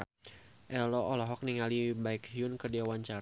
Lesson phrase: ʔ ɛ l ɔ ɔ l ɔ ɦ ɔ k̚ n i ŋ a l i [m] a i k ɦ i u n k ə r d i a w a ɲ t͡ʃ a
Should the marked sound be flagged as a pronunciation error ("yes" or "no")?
yes